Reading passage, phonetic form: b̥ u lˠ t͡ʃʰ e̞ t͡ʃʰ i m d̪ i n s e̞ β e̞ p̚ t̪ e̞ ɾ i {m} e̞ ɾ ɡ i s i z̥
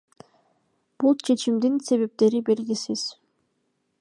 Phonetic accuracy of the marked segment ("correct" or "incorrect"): incorrect